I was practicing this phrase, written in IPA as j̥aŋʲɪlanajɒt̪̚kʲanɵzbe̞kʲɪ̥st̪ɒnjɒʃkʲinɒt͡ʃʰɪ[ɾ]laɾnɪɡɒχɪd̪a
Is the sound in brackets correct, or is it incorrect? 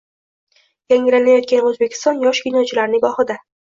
incorrect: none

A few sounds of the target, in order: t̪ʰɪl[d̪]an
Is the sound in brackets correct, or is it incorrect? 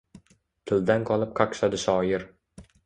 correct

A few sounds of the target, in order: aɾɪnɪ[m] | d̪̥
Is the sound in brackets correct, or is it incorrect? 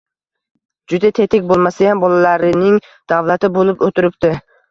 incorrect: ŋ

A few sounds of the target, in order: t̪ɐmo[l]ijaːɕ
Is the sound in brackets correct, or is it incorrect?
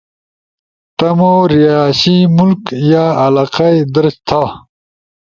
incorrect: ɾ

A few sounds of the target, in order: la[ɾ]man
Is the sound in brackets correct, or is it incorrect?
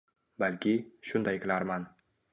correct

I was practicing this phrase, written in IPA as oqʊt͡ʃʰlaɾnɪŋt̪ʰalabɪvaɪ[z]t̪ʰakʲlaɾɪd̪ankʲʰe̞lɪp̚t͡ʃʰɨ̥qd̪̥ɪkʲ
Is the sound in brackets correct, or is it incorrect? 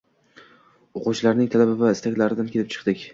incorrect: s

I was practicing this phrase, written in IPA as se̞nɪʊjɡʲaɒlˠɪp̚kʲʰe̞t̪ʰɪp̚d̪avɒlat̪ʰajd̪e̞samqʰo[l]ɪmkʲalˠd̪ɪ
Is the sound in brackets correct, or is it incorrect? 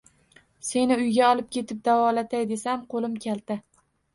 correct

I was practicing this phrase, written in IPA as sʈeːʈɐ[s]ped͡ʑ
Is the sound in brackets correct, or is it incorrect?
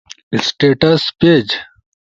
correct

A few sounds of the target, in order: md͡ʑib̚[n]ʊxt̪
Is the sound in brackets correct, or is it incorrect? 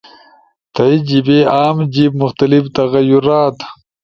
incorrect: m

